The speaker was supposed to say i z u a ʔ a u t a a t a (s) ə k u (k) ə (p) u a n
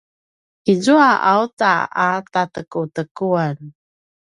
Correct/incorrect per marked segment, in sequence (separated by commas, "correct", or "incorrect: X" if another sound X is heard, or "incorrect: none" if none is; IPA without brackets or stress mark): incorrect: t, incorrect: t, incorrect: k